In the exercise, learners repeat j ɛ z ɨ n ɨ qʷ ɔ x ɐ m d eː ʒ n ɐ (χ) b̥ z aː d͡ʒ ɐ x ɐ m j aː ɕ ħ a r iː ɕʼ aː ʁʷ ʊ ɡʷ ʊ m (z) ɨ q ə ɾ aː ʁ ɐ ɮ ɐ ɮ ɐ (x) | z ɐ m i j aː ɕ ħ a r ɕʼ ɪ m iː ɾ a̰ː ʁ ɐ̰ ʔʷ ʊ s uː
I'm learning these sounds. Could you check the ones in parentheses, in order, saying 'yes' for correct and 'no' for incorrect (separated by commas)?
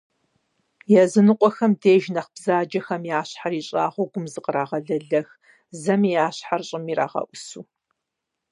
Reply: yes, yes, yes